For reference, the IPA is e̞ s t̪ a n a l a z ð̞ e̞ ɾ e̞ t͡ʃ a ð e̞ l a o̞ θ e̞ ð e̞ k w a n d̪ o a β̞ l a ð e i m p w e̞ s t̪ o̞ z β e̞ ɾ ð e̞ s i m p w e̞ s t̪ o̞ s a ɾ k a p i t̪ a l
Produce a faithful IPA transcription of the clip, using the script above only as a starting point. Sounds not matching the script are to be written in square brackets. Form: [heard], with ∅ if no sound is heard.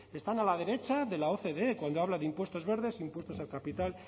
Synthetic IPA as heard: e̞ s t̪ a n a l a [∅] ð̞ e̞ ɾ e̞ t͡ʃ a ð e̞ l a o̞ θ e̞ ð e̞ k w a n d̪ o a β̞ l a ð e i m p w e̞ s t̪ o̞ z β e̞ ɾ ð e̞ s i m p w e̞ s t̪ o̞ s a [l] k a p i t̪ a l